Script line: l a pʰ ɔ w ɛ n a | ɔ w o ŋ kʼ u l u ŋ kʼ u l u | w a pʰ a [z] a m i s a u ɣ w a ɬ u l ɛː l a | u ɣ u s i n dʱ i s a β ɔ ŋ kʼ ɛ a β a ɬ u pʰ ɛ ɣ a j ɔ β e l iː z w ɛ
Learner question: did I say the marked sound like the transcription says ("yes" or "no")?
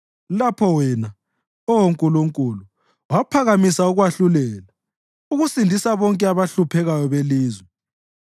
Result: no